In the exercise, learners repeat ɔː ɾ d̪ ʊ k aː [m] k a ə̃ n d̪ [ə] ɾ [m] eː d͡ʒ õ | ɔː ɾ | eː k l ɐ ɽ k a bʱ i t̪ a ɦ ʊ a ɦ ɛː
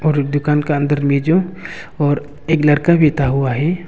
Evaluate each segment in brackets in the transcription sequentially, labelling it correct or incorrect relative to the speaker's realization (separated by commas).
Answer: incorrect, correct, correct